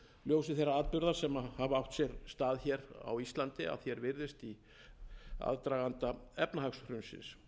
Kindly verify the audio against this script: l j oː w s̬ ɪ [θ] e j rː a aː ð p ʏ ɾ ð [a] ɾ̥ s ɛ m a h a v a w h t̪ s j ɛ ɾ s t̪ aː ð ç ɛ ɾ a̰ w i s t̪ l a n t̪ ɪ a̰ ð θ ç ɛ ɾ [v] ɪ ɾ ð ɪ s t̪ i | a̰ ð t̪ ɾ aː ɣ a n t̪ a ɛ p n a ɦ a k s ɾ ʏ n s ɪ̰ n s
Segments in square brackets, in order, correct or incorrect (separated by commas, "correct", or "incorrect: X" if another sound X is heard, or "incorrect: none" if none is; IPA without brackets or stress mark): correct, correct, correct